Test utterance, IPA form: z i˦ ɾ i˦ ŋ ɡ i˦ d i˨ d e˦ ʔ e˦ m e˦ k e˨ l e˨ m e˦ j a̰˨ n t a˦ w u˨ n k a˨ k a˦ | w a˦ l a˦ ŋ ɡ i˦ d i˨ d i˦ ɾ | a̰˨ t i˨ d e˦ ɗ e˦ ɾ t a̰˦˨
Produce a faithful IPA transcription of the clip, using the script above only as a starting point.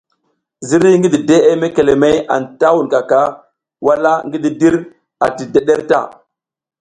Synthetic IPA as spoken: z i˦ ɾ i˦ ŋ ɡ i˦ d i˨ d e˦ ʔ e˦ m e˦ k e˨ l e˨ m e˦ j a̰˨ n t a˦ w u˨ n k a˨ k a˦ | w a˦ l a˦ ŋ ɡ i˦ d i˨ d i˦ ɾ | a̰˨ t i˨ d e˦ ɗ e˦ ɾ t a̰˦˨